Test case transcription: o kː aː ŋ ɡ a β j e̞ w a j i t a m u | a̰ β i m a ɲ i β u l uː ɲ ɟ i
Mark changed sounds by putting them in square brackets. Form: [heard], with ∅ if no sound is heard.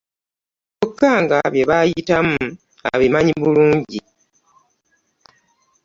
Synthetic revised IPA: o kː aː ŋ ɡ a β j e̞ [β] a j i t a m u | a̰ β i m a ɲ i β u l uː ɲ ɟ i